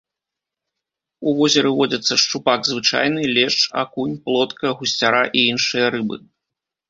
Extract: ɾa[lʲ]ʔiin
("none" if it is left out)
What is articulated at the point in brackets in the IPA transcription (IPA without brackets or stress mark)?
none